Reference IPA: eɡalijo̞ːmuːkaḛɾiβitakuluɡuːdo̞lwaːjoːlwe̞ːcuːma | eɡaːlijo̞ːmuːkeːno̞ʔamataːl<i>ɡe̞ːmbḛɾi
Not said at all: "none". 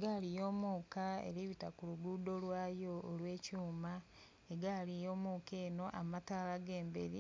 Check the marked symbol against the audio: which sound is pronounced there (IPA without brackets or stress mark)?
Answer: a